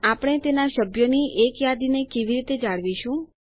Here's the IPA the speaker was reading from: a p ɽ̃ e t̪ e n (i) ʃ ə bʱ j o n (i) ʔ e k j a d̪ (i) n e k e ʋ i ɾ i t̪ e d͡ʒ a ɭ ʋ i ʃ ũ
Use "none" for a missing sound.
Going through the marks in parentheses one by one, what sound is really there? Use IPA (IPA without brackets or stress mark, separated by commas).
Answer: a, i, i